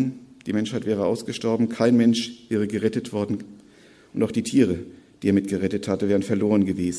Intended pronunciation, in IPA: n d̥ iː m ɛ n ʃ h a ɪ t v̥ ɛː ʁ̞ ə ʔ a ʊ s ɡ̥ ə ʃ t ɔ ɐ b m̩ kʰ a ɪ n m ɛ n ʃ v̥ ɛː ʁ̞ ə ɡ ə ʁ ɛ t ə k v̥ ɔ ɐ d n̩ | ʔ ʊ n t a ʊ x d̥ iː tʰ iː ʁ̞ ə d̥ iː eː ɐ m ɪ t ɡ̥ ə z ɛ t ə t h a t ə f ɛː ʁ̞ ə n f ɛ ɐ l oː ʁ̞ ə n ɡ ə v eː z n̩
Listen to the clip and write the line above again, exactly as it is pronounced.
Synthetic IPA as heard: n d̥ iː m ɛ n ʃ h a ɪ t v̥ ɛː ʁ̞ ə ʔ a ʊ s ɡ̥ ə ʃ t ɔ ɐ b m̩ kʰ a ɪ n m ɛ n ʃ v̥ ɛː ʁ̞ ə ɡ ə ʁ ɛ t ə t v̥ ɔ ɐ d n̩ | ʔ ʊ n t a ʊ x d̥ iː tʰ iː ʁ̞ ə d̥ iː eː ɐ m ɪ t ɡ̥ ə ʁ ɛ t ə t h a t ə v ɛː ʁ̞ ə n f ɛ ɐ l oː ʁ̞ ə n ɡ ə v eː z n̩